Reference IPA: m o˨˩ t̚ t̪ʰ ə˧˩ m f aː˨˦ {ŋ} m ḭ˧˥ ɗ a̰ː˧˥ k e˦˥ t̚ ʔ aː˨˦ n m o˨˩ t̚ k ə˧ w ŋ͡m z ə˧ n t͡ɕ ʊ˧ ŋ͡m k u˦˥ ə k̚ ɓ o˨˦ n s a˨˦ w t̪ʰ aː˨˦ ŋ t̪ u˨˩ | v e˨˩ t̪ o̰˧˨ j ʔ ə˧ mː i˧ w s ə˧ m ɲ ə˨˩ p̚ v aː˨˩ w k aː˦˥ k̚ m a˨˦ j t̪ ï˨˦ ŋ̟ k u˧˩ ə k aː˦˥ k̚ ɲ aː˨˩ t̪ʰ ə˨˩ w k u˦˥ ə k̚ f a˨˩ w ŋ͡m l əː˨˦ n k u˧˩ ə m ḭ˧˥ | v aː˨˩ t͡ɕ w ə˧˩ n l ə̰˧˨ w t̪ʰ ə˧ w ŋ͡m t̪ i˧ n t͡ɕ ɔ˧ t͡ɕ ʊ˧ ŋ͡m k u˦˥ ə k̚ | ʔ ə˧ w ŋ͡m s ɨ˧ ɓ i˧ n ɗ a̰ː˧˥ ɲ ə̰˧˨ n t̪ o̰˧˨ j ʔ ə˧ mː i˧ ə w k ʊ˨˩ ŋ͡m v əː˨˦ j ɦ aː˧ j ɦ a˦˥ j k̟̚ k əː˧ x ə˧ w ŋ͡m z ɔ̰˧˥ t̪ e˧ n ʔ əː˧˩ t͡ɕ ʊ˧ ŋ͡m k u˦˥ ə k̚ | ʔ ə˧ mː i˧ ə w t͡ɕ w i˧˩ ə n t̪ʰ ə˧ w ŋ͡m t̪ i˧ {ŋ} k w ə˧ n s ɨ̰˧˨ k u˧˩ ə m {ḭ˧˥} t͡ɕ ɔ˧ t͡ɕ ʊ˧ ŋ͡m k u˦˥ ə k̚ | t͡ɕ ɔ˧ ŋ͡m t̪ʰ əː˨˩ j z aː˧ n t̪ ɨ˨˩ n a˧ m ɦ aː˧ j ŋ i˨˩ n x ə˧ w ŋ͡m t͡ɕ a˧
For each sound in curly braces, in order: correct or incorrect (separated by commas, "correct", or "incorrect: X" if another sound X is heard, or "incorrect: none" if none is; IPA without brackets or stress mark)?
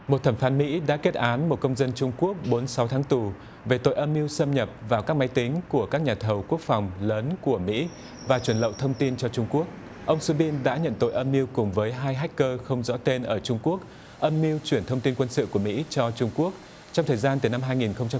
incorrect: n, incorrect: n, correct